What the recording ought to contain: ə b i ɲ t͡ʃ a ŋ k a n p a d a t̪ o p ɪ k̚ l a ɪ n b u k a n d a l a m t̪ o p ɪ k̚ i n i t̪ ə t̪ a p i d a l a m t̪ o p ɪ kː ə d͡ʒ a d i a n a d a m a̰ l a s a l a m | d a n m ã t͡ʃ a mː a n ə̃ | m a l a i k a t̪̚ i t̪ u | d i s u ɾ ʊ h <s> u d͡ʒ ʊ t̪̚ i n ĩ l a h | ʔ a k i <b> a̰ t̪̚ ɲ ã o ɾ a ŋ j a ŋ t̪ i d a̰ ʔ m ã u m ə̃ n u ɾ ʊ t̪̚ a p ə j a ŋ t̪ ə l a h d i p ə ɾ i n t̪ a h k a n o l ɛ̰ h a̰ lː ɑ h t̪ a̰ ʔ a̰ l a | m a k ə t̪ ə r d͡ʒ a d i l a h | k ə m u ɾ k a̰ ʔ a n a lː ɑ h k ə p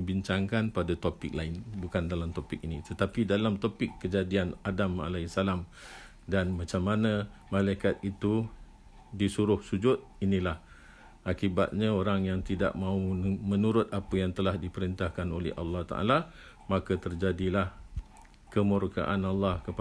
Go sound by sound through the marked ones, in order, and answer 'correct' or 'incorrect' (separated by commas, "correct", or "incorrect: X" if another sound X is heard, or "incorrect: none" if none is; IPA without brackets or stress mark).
correct, correct